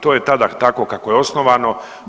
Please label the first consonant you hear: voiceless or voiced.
voiceless